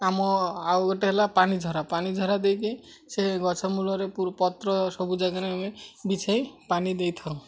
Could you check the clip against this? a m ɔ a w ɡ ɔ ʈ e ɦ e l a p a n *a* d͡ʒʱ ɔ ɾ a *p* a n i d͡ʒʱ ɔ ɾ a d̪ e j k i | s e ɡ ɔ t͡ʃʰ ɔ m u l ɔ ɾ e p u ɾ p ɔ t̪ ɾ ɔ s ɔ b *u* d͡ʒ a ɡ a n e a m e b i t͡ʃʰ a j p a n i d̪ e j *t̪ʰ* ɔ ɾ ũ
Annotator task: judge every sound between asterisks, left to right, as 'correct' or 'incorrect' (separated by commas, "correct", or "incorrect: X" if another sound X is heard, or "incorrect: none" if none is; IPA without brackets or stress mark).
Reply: incorrect: i, correct, correct, correct